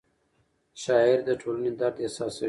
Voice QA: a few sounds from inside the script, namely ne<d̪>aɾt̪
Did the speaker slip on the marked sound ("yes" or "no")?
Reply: no